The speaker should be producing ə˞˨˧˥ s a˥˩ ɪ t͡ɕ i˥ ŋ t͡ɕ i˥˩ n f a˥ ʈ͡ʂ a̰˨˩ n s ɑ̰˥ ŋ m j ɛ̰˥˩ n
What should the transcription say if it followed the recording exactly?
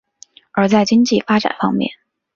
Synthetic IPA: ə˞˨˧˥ t͡s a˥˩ ɪ t͡ɕ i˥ ŋ t͡ɕ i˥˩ f a˥ ʈ͡ʂ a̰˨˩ n f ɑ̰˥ ŋ m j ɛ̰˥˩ n

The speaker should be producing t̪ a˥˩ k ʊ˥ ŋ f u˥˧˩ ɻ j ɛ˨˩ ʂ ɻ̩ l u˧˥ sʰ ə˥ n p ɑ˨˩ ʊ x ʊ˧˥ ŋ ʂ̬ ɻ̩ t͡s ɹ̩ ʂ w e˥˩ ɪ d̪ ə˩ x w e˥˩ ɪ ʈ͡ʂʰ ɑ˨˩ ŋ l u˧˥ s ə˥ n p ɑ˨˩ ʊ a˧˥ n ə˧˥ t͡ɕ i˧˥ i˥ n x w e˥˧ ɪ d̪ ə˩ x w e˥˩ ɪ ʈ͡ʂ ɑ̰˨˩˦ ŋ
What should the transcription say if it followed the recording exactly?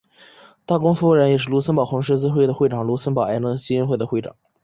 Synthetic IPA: t̪ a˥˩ k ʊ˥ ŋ f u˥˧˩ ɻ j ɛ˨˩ ʂ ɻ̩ l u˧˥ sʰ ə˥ n p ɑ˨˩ ʊ x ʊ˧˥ ŋ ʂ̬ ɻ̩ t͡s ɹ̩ x w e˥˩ ɪ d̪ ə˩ x w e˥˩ ɪ ʈ͡ʂ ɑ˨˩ ŋ l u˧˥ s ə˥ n p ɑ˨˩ ʊ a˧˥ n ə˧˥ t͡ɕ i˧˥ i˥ n x w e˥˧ ɪ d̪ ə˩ x w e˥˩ ɪ ʈ͡ʂ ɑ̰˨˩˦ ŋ

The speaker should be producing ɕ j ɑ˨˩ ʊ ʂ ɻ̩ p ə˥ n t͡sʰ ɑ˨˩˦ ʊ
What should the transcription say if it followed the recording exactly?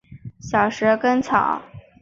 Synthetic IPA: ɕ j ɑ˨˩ ʊ ʂ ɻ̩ k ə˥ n t͡sʰ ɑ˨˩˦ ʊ

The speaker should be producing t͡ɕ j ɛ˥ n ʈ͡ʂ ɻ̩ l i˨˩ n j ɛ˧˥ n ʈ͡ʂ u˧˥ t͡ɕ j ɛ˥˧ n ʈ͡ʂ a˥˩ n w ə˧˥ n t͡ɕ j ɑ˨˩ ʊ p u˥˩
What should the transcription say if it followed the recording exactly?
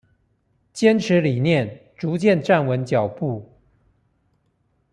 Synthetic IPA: t͡ɕ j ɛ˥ n ʈ͡ʂʰ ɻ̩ l i˨˩ n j ɛ˥˩ n ʈ͡ʂ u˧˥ t͡ɕ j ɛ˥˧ n ʈ͡ʂ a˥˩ n w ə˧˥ n t͡ɕ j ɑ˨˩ ʊ p u˥˩

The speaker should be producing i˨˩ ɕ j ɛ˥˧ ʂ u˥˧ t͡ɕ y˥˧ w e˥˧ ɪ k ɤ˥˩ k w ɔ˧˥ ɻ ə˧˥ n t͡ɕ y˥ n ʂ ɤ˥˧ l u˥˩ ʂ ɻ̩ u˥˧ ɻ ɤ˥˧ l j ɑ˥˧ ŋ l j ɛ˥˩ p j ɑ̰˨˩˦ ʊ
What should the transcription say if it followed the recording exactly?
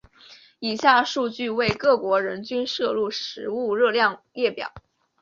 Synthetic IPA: i˨˩ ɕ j a˥˧ ʂ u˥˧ t͡ɕ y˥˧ w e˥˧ ɪ k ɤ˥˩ k w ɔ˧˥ ɻ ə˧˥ n t͡ɕ y˥ n ʂ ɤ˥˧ l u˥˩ ʂ ɻ̩ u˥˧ ɻ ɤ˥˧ l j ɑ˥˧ ŋ l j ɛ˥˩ p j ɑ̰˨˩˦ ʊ

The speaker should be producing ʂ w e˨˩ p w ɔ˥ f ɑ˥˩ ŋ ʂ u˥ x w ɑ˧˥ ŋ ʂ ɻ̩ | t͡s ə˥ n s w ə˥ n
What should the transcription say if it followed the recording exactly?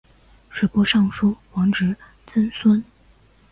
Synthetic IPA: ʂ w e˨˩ p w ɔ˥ ʂ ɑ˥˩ ŋ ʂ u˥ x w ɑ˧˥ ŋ ʈ͡ʂ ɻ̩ | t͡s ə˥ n s w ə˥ n

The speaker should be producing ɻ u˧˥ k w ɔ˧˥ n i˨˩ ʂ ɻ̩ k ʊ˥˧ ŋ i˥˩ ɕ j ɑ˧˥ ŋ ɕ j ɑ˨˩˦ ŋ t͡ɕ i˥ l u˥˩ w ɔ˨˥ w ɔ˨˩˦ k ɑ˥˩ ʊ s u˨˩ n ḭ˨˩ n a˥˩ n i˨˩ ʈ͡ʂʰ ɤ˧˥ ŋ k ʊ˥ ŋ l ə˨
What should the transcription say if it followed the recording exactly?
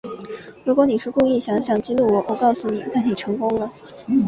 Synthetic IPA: ɻ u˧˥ k w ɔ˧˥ n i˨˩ ʂ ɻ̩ k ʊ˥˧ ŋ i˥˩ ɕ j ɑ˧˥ ŋ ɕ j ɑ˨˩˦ ŋ t͡ɕ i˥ l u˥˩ w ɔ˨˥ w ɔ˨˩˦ k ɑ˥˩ ʊ s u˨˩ n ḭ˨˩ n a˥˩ n i˨˩ ʈ͡ʂʰ ɤ˧˥ ŋ k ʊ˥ ŋ l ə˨

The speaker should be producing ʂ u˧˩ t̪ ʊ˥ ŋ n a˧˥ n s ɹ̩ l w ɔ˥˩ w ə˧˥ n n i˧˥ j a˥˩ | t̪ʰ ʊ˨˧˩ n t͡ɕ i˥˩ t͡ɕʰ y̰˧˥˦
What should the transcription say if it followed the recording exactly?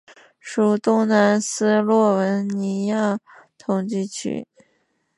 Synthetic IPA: ʂ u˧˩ t̪ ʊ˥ ŋ n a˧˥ n s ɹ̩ l w ɔ˥˩ w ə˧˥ n n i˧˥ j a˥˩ | t̪ʰ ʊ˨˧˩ ŋ t͡ɕ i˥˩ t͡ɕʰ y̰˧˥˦

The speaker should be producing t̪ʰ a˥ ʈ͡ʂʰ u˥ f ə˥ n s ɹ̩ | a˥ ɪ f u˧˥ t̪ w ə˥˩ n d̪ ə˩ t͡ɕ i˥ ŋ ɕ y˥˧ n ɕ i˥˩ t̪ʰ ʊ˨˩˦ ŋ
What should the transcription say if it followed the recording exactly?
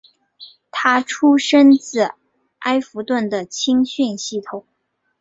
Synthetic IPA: t̪ʰ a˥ ʈ͡ʂʰ u˥ ʂ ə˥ n t͡s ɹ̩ | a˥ ɪ f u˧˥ t̪ w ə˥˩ n d̪ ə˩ t͡ɕʰ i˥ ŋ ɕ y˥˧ n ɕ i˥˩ t̪ʰ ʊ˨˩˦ ŋ

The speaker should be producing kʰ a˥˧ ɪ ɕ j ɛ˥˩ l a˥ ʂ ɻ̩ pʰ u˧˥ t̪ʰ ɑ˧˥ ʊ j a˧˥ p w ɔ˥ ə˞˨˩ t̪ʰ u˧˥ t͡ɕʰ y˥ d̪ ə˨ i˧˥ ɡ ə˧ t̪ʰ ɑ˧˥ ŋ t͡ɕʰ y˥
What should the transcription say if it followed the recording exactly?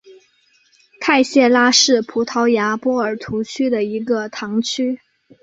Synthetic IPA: kʰ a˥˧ ɪ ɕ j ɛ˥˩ l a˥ ʂ ɻ̩ pʰ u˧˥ t̪ʰ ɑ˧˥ ʊ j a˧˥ p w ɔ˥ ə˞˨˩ t̪ʰ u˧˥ t͡ɕʰ y˥ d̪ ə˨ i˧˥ ɡ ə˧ t̪ʰ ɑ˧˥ ŋ t͡ɕʰ y˥

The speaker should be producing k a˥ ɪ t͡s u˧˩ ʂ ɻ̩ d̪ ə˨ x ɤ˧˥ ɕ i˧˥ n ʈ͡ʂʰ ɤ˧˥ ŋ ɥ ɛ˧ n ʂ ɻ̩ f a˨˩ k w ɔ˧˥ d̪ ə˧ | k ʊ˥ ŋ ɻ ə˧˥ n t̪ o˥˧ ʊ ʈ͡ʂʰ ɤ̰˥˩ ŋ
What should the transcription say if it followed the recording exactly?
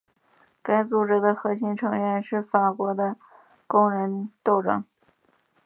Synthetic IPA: k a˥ ɪ t͡s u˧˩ ʈ͡ʂ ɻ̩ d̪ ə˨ x ɤ˧˥ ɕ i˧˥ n ʈ͡ʂʰ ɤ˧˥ ŋ ɥ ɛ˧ n ʂ ɻ̩ f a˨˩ k w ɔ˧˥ d̪ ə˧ | k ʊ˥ ŋ ɻ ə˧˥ n t̪ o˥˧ ʊ ʈ͡ʂ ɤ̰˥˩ ŋ

